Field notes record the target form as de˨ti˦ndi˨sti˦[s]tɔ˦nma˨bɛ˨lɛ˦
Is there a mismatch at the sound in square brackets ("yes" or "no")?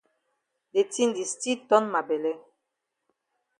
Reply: yes